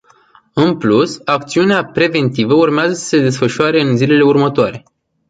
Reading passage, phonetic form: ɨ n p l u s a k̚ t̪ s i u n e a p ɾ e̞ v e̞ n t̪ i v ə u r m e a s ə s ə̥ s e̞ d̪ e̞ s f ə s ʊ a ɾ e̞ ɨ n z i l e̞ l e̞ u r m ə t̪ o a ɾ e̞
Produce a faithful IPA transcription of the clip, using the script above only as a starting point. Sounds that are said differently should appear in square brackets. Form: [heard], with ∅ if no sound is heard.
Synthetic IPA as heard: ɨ n p l u s a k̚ t̪ s i u n e a p ɾ e̞ v e̞ n t̪ i v ə u r m e a [z] ə s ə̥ s e̞ d̪ e̞ s f ə [ʃ] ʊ a ɾ e̞ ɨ n z i l e̞ l e̞ u r m ə t̪ o a ɾ e̞